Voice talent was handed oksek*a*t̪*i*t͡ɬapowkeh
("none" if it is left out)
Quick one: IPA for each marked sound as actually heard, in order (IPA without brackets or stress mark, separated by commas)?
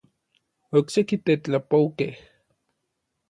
i, e